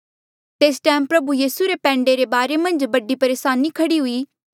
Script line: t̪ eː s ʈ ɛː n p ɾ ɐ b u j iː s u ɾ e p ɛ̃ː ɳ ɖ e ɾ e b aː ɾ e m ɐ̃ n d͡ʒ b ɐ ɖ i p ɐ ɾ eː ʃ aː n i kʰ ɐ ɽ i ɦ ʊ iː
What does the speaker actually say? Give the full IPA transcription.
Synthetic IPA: t̪ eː s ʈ ɛː m p ɾ ɐ b u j iː s u ɾ e p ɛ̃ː ɳ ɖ e ɾ e b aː ɾ e m ɐ̃ n d͡ʒ b ɐ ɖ i p ɐ ɾ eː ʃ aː n i kʰ ɐ ɽ i ɦ ʊ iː